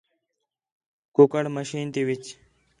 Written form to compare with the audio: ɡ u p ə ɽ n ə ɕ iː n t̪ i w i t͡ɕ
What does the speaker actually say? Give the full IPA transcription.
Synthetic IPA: k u k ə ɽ m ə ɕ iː n t̪ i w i t͡ɕ